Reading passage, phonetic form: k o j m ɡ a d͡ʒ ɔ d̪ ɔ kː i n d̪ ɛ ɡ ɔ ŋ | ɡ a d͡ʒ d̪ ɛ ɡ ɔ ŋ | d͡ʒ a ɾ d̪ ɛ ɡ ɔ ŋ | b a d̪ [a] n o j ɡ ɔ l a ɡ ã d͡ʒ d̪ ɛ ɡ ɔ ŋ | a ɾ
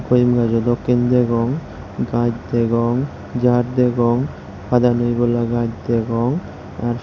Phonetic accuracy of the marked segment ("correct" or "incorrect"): correct